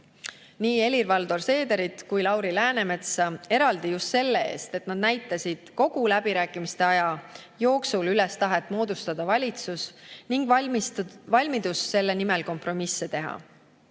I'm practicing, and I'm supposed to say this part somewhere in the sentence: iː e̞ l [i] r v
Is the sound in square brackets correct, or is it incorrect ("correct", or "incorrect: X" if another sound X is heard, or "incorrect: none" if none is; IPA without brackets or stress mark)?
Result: correct